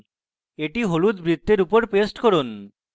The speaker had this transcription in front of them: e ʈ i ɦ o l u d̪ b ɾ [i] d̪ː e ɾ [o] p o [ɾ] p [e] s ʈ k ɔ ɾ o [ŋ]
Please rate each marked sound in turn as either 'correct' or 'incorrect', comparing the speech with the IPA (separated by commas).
correct, incorrect, correct, correct, incorrect